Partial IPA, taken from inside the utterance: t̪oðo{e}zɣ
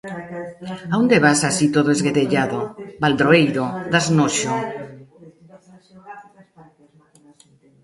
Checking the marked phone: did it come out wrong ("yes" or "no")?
no